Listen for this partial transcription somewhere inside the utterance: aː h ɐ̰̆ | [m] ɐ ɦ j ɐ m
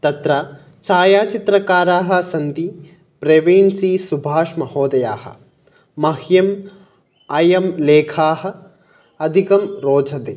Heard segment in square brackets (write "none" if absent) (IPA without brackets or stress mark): m